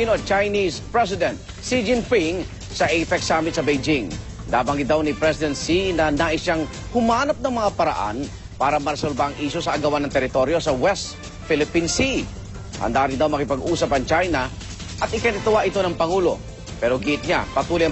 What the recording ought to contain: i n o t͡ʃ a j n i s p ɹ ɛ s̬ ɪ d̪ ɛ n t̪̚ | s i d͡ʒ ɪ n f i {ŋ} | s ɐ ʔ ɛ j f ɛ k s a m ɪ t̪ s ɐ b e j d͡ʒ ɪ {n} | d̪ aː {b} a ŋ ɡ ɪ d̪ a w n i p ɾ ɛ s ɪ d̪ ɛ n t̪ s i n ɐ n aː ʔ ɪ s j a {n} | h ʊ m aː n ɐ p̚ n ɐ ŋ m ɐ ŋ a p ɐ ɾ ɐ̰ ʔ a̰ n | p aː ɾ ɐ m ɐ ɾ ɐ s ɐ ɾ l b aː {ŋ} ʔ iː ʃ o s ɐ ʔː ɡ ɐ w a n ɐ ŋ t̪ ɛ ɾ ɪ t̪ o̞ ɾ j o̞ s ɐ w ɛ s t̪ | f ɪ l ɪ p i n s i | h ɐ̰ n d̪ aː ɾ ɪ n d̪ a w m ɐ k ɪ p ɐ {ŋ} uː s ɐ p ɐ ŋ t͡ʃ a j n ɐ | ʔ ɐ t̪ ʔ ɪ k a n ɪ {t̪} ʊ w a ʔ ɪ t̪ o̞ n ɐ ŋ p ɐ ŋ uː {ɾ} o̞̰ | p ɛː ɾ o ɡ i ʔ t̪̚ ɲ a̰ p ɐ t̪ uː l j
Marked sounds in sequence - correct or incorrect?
correct, incorrect, correct, incorrect, correct, incorrect, correct, incorrect

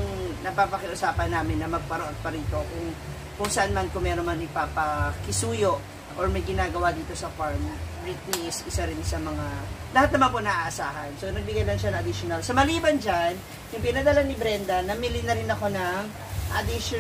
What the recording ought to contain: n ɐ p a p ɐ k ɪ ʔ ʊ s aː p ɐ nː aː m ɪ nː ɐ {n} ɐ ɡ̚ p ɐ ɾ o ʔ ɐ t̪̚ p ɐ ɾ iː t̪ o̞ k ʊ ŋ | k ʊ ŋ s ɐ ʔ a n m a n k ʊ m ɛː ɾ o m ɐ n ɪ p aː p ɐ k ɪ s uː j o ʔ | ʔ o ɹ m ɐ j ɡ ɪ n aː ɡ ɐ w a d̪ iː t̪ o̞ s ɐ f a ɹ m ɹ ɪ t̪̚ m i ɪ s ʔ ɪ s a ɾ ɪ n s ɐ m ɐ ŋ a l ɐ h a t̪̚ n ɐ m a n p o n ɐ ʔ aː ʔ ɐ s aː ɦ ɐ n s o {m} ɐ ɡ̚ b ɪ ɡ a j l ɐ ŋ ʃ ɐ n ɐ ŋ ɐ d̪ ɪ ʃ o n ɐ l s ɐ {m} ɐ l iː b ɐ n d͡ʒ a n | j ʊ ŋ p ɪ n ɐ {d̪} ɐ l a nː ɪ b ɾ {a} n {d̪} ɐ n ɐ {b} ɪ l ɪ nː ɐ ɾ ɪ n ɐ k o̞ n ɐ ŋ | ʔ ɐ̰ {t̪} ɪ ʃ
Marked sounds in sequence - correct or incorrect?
incorrect, incorrect, correct, correct, incorrect, correct, incorrect, incorrect

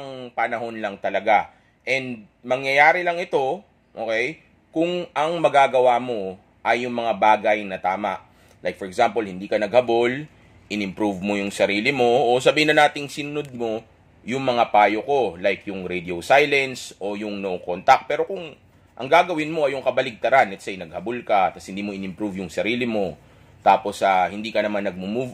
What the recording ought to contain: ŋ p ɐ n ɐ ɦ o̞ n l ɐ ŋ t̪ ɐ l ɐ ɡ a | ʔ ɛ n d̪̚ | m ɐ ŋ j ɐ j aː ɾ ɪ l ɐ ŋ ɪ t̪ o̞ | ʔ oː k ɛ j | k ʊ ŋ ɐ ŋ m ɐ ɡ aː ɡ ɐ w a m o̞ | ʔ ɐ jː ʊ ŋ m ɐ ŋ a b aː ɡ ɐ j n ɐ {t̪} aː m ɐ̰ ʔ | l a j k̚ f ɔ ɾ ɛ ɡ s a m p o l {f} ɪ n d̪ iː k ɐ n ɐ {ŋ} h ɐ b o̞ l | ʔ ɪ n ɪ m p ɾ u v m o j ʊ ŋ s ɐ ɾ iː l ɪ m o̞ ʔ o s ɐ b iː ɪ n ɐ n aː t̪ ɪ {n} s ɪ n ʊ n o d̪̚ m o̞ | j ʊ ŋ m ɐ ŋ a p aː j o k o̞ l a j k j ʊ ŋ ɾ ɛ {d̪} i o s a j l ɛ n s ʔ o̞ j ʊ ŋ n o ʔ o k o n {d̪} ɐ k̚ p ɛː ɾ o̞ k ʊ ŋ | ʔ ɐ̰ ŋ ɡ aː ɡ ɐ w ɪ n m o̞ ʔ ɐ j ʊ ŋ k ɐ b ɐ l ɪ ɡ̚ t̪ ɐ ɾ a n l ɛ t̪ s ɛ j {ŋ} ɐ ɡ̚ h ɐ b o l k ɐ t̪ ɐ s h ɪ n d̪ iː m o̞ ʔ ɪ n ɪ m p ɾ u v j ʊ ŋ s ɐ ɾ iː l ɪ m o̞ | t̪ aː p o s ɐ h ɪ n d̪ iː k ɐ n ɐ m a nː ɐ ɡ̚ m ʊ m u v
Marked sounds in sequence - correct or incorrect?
correct, incorrect, incorrect, incorrect, correct, incorrect, incorrect

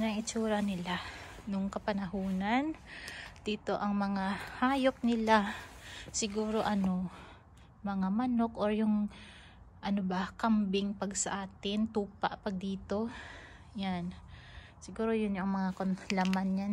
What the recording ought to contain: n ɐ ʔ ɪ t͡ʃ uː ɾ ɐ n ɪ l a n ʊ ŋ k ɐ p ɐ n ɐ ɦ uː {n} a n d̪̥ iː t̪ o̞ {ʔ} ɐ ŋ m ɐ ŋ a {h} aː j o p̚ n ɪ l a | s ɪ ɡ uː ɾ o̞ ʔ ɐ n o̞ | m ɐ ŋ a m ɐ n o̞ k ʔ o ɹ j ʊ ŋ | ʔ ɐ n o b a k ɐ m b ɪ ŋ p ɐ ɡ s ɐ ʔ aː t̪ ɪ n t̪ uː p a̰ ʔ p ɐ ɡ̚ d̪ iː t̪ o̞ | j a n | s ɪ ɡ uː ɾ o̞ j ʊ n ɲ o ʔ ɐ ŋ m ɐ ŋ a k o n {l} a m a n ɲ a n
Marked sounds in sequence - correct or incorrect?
correct, correct, correct, correct

